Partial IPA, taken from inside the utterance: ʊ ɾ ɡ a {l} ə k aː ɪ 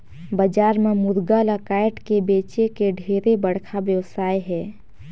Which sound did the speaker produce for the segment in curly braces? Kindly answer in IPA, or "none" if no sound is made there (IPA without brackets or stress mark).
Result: l